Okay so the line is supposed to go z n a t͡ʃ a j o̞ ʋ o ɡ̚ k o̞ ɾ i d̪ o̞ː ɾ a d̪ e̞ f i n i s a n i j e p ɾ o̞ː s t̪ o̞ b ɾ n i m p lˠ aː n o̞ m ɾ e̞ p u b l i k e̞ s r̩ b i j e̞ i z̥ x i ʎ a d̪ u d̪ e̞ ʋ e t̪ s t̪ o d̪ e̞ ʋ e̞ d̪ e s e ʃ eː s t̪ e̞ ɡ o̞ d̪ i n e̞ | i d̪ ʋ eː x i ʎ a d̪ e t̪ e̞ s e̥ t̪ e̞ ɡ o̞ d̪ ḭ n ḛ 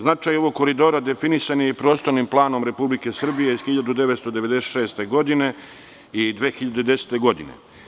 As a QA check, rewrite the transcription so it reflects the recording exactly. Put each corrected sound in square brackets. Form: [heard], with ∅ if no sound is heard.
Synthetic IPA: z n a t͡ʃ a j o̞ ʋ o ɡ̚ k o̞ ɾ i d̪ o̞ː ɾ a d̪ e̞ f i n i s a n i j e p ɾ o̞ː s t̪ o̞ [∅] ɾ n i m p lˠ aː n o̞ m ɾ e̞ p u b l i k e̞ s r̩ b i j e̞ i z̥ x i ʎ a d̪ u d̪ e̞ ʋ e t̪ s t̪ o d̪ e̞ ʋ e̞ d̪ e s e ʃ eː s t̪ e̞ ɡ o̞ d̪ i n e̞ | i d̪ ʋ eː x i ʎ a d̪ e [d̪] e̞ s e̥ t̪ e̞ ɡ o̞ d̪ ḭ n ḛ

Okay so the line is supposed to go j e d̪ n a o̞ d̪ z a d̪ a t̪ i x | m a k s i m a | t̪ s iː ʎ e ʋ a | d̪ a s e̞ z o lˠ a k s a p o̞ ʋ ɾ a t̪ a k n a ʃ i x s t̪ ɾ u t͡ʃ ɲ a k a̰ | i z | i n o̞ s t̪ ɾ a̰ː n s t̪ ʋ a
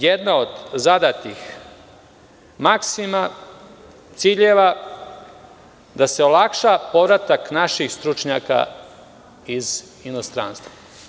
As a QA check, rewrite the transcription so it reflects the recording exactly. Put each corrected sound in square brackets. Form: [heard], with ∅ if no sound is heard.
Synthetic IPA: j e d̪ n a o̞ d̪ z a d̪ a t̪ i x | m a k s i m a | t̪ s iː ʎ e ʋ a | d̪ a s e̞ [∅] o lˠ a k [ʃ] a p o̞ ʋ ɾ a t̪ a k n a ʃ i x s t̪ ɾ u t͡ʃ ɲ a k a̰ | i z | i n o̞ s t̪ ɾ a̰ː n s t̪ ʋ a

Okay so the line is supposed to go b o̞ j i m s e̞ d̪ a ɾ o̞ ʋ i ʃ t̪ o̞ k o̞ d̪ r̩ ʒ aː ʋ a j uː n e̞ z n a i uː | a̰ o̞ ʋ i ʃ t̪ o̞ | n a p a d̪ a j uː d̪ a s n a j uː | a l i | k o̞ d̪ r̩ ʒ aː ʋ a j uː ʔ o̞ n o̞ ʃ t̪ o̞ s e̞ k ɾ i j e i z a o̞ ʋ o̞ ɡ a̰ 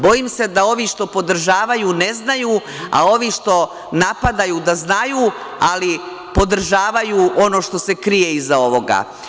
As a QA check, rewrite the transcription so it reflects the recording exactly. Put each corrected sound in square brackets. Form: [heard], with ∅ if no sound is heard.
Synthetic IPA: b o̞ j i m s e̞ d̪ a [∅] o̞ ʋ i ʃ t̪ o̞ [p] o̞ d̪ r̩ ʒ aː ʋ a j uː n e̞ z n a [j] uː | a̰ o̞ ʋ i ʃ t̪ o̞ | n a p a d̪ a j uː d̪ a [z] n a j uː | a l i | [p] o̞ d̪ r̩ ʒ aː ʋ a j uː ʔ o̞ n o̞ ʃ t̪ o̞ s e̞ k ɾ i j e i z a o̞ ʋ o̞ ɡ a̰

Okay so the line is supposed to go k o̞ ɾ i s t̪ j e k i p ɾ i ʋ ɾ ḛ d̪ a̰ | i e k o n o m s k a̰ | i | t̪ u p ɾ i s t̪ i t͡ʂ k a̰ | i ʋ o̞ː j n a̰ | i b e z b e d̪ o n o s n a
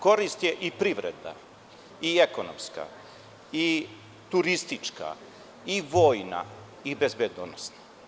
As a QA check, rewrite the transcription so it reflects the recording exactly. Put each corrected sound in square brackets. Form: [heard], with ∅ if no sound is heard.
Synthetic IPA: k o̞ ɾ i s t̪ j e [ʔ] i p ɾ i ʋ ɾ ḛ d̪ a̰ | i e k o n o m s k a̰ | i | t̪ u [∅] ɾ i s t̪ i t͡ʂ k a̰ | i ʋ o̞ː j n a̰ | i b e z b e d̪ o n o s n a

